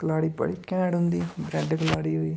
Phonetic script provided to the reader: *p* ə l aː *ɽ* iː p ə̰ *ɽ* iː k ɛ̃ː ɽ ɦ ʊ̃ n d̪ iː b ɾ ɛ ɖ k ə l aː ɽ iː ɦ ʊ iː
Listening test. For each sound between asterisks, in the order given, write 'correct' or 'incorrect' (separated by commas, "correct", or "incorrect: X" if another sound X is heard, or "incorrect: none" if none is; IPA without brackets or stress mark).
incorrect: k, correct, correct